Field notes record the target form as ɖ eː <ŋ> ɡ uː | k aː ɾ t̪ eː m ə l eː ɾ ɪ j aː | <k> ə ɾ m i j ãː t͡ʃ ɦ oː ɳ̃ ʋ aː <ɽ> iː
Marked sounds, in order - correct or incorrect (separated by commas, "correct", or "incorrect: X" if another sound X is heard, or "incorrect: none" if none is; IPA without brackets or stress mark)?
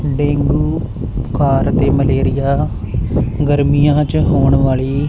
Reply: correct, incorrect: ɡ, incorrect: ɭ